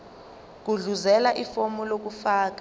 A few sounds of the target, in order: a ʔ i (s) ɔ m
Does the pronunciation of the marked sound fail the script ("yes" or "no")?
yes